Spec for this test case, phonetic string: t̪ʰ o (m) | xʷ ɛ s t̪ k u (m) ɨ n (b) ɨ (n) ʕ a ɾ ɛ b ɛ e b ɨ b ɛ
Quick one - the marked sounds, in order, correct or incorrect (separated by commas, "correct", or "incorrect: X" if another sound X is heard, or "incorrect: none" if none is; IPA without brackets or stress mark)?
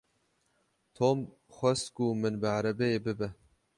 correct, correct, correct, incorrect: none